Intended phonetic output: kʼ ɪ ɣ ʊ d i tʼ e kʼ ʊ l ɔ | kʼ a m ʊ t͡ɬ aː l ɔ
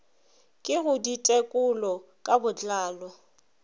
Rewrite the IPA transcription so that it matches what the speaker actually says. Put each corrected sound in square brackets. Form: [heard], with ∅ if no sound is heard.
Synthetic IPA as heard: kʼ ɪ ɣ ʊ d i tʼ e kʼ ʊ l ɔ | kʼ a [b] ʊ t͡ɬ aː l ɔ